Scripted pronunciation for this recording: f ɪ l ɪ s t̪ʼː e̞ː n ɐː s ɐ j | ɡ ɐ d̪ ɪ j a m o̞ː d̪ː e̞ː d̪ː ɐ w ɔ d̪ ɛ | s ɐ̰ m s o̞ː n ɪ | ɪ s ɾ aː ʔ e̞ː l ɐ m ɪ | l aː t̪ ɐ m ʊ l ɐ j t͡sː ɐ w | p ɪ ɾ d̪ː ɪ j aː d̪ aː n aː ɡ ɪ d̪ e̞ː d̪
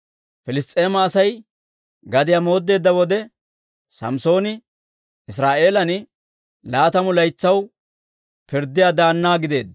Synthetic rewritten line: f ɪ l ɪ s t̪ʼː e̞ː m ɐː s ɐ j | ɡ ɐ d̪ ɪ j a m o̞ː d̪ː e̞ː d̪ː ɐ w ɔ d̪ ɛ | s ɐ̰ m s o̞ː n ɪ | ɪ s ɾ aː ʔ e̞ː l ɐ n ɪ | l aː t̪ ɐ m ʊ l ɐ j t͡sː ɐ w | p ɪ ɾ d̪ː ɪ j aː d̪ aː nː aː ɡ ɪ d̪ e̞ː d̪